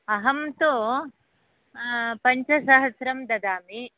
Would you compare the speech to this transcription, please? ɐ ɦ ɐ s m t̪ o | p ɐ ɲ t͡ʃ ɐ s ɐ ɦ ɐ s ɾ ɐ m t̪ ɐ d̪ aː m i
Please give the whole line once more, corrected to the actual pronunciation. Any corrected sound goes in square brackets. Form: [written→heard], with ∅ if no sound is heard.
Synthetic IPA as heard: ɐ ɦ ɐ [s→∅] m t̪ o | p ɐ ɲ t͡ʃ ɐ s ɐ ɦ ɐ s ɾ ɐ m [t̪→d̪] ɐ d̪ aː m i